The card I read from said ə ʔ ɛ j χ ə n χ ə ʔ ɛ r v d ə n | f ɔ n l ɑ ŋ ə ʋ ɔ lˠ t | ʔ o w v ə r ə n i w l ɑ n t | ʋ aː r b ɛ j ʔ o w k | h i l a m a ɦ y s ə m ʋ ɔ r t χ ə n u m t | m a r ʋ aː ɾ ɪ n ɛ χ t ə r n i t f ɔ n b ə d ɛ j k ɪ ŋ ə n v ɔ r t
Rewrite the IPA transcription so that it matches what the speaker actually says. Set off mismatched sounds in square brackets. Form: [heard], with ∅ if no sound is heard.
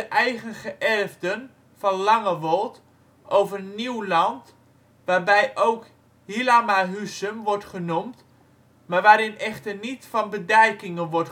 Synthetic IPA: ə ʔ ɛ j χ ə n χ ə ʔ ɛ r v d ə n | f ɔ n l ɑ ŋ ə ʋ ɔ lˠ t | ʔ o w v ə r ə n i w l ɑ n t | ʋ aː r b ɛ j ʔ o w k | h i l a m a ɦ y s ə m ʋ ɔ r t χ ə n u m t | m a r ʋ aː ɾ ɪ n ɛ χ t ə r n i t f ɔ n b ə d ɛ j k ɪ ŋ ə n [ʋ] ɔ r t